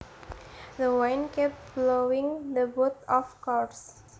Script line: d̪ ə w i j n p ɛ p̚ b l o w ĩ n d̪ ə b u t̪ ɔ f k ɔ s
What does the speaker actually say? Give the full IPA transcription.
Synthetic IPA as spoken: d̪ ə w a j n k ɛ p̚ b l o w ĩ ŋ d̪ ə b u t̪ ɔ f k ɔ s